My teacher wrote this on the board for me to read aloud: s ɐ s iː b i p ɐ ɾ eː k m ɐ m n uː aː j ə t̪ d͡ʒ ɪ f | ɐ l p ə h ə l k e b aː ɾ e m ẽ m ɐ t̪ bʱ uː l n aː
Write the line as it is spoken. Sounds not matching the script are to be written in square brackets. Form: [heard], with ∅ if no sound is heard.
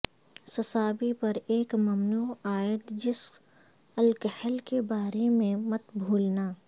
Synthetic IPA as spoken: s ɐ s [aː] b i p ɐ ɾ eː k m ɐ m n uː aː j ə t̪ d͡ʒ ɪ [s] | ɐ l [k] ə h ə l k e b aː ɾ e m ẽ m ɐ t̪ bʱ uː l n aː